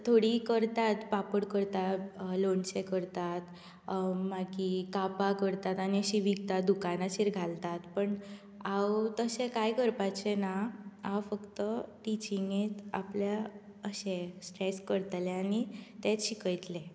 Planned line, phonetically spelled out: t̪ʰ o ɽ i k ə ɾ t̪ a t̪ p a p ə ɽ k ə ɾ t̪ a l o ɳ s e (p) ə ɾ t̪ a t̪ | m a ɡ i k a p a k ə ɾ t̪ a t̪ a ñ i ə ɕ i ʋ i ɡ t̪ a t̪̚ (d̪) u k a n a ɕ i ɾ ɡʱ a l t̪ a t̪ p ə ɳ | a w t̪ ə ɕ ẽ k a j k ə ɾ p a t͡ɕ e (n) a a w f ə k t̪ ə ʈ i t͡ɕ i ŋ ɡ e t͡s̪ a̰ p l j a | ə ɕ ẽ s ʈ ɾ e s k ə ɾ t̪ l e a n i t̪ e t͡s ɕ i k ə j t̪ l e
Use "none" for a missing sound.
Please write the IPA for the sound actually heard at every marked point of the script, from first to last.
k, d̪, n

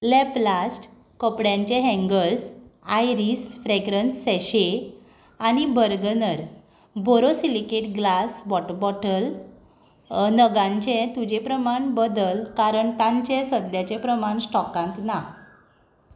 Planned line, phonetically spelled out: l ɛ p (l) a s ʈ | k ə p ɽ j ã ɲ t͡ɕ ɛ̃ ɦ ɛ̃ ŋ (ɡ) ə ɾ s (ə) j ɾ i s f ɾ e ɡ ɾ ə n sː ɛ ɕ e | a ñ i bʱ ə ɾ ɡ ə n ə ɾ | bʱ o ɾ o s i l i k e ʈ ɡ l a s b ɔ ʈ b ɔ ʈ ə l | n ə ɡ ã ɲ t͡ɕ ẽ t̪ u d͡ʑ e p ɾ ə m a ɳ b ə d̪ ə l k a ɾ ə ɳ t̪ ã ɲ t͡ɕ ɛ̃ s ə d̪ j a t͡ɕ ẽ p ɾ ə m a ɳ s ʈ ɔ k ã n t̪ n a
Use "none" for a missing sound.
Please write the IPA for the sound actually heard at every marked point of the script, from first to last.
l, ɡ, a

